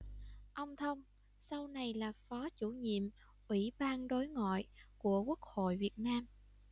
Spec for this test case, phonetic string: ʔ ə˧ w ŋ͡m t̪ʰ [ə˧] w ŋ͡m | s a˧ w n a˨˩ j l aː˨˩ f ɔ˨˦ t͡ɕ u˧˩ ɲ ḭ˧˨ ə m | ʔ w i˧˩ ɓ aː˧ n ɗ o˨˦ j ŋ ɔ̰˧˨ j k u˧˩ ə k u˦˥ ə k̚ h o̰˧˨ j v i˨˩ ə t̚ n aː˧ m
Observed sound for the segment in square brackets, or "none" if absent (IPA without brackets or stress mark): ə˧